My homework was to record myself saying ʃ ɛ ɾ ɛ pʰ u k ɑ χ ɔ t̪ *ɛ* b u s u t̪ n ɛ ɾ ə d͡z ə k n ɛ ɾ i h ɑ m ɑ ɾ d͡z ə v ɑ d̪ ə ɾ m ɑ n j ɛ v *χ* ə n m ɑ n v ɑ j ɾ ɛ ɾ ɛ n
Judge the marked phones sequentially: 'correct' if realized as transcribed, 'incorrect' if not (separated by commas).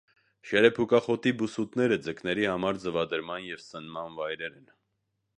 incorrect, incorrect